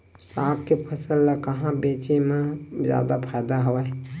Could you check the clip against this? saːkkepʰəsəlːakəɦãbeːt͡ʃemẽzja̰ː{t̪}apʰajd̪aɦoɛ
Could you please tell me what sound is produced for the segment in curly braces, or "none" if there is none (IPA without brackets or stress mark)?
d̪